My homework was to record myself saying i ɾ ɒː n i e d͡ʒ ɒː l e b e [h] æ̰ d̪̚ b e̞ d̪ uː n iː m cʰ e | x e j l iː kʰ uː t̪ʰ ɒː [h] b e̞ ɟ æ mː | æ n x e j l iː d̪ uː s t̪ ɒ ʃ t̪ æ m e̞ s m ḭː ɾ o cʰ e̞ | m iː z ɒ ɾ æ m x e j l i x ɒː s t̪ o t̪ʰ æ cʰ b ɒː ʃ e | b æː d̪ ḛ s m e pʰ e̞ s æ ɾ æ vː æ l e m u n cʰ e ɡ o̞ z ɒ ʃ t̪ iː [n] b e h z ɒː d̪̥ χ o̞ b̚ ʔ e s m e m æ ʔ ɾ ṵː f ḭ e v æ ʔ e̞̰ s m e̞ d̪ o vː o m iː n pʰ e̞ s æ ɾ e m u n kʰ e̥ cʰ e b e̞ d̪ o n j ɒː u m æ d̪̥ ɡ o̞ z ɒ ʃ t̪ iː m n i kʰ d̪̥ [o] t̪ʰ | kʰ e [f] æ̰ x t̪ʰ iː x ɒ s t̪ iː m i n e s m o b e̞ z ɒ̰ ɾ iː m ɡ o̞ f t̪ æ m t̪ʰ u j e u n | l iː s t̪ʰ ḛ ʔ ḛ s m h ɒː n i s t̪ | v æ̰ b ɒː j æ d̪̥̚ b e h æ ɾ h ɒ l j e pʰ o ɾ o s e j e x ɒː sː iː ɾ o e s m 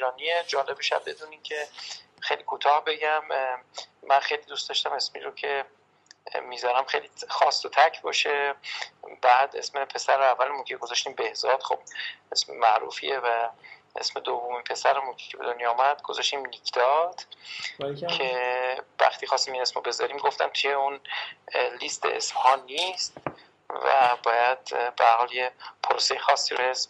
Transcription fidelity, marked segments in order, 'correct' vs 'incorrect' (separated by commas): incorrect, correct, incorrect, incorrect, incorrect